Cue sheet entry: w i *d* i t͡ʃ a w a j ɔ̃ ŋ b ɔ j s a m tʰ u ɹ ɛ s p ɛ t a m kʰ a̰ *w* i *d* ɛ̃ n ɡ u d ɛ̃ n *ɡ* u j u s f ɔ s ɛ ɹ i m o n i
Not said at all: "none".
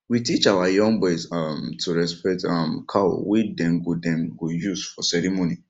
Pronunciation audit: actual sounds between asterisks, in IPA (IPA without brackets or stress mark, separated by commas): t, w, d, ɡ